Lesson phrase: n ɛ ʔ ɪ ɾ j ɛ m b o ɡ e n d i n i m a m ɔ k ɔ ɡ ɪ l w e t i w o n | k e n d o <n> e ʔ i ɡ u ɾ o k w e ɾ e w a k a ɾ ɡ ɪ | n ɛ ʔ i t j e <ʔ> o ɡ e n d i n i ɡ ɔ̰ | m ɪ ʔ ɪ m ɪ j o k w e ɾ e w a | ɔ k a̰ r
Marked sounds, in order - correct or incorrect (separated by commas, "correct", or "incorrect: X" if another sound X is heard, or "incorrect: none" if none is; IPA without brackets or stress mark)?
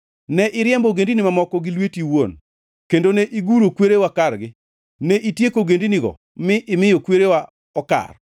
correct, incorrect: k